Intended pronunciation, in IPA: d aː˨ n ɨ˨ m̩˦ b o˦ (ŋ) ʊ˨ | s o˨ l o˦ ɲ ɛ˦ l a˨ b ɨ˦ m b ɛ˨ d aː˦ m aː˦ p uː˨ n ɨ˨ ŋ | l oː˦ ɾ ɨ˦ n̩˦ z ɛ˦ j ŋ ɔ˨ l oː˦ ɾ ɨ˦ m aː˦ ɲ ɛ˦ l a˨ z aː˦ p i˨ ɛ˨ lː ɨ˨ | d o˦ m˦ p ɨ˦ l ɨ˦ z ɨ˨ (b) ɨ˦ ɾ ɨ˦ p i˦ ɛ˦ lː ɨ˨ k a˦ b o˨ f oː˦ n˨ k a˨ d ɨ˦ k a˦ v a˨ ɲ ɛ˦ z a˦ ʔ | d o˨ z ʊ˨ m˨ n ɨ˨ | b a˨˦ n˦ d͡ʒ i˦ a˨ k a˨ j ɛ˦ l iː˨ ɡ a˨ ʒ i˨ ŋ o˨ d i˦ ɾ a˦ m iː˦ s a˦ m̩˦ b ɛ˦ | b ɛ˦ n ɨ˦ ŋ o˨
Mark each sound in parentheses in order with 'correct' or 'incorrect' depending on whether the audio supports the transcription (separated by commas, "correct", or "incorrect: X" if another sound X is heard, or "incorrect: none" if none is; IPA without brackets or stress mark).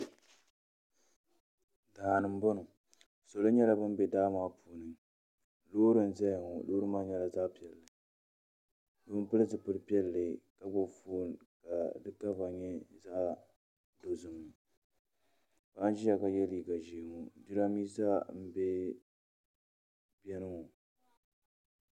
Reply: incorrect: n, incorrect: p